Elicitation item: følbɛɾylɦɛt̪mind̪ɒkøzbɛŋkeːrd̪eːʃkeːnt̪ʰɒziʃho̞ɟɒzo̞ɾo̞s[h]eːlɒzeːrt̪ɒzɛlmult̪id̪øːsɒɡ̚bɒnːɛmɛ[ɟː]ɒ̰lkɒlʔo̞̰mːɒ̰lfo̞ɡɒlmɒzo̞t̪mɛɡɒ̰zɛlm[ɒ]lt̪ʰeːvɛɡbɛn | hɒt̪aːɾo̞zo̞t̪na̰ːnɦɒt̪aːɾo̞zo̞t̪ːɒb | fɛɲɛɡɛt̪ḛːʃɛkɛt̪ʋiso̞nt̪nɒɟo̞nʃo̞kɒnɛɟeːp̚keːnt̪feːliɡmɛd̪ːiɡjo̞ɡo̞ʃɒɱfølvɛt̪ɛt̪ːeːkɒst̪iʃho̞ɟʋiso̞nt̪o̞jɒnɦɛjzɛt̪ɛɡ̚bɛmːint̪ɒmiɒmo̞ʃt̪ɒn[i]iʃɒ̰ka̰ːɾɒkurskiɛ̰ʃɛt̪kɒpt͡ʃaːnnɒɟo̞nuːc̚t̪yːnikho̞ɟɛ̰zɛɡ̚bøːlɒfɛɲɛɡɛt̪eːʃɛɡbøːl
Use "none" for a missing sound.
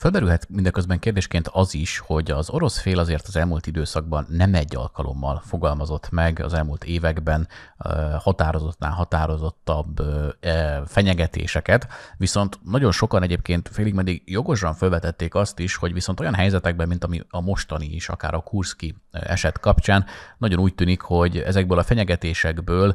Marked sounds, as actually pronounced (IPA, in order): f, ɟː, u, i

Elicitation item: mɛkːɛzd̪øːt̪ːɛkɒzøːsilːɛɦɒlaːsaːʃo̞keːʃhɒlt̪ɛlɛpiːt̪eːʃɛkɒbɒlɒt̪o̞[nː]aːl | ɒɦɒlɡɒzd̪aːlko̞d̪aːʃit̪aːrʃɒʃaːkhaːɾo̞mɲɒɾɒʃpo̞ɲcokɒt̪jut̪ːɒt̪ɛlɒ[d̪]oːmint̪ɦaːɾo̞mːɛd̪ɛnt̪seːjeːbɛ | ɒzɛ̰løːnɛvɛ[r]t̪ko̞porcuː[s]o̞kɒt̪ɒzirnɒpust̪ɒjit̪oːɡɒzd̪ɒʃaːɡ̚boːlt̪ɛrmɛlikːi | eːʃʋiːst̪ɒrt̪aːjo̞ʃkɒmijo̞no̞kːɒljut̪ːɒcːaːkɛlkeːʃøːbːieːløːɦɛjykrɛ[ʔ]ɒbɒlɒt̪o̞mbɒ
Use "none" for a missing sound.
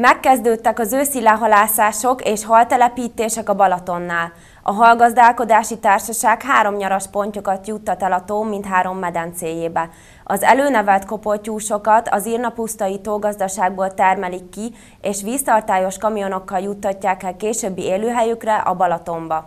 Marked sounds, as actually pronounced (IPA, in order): nː, t̪, l, ʃ, ʔ

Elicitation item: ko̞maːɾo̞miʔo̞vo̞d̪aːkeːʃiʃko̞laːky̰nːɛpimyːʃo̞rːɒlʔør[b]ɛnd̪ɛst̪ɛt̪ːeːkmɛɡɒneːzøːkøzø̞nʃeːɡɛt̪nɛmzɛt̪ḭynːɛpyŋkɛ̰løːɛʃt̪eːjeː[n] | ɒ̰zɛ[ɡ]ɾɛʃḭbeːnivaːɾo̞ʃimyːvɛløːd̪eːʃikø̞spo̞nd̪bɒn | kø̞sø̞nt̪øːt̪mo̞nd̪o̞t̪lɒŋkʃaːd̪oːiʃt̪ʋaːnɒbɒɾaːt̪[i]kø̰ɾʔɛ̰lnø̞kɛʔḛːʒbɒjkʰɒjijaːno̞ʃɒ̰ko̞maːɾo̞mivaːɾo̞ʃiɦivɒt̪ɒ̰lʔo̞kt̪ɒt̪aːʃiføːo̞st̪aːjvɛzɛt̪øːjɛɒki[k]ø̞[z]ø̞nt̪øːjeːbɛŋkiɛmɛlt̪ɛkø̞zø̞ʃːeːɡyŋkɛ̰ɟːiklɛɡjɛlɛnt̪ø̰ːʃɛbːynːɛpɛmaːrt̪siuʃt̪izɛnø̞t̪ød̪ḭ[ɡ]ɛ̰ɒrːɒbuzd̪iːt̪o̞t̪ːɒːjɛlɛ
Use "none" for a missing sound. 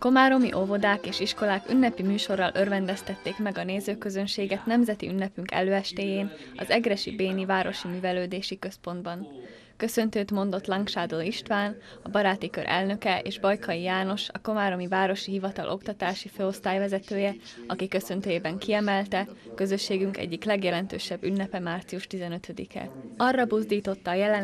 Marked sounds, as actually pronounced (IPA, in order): v, n, ɡ, i, k, s, k

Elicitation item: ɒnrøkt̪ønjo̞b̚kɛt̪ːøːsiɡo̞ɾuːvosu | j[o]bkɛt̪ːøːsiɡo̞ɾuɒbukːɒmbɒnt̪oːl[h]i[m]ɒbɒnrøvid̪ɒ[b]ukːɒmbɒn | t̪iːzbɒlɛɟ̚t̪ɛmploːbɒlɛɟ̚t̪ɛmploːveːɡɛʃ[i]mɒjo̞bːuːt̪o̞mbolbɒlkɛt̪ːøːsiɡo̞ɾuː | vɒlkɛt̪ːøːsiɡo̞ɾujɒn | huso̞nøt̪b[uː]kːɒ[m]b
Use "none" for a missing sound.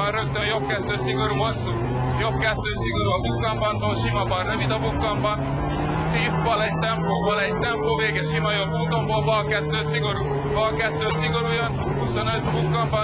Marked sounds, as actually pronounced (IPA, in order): o, ʃ, m, b, i, u, m

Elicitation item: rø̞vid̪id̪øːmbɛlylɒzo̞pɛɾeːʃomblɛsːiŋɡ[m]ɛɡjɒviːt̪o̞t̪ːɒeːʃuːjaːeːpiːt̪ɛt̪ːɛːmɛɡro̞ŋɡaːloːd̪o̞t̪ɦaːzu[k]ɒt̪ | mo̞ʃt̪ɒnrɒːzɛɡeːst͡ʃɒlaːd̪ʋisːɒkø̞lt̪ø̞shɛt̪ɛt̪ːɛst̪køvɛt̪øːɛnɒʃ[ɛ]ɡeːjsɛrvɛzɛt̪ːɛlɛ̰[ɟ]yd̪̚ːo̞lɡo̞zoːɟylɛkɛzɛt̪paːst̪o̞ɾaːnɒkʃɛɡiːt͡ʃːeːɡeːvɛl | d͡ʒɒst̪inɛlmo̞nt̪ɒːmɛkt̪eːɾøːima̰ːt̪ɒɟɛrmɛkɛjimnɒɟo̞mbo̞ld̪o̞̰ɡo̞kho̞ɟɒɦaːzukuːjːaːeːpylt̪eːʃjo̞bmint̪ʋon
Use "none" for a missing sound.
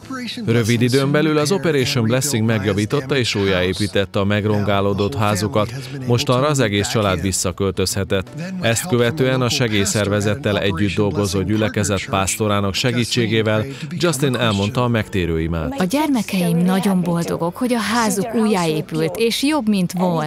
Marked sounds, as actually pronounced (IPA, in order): m, k, ɛ, ɟː

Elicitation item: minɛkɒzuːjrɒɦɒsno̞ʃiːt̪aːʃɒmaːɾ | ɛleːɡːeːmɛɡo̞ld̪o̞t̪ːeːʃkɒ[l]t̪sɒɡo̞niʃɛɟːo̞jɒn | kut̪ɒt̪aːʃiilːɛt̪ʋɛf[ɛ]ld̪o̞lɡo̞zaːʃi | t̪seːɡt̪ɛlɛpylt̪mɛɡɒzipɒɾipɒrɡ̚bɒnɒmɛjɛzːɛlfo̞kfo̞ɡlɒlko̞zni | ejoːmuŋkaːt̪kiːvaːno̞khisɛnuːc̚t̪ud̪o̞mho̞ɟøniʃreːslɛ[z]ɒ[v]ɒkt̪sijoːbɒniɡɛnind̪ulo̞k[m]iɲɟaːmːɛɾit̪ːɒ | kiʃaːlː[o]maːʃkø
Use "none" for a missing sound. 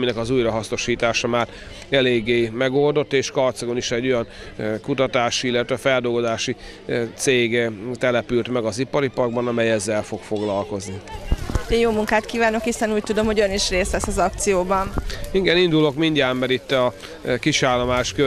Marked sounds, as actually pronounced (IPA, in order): r, ɛ, s, z, m, o

